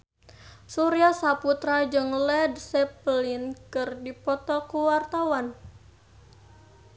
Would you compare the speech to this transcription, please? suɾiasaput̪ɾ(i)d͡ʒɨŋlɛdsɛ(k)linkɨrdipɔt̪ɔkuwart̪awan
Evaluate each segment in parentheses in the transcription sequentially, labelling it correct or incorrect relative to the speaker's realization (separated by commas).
incorrect, incorrect